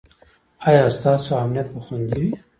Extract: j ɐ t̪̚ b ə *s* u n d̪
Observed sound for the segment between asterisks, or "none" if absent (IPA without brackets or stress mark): x